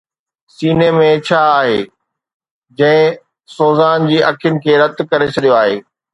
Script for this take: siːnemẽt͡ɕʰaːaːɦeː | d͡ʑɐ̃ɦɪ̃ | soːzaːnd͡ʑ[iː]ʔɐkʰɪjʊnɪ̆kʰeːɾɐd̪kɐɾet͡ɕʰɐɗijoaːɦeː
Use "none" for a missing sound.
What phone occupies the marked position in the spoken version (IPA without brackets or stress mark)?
iː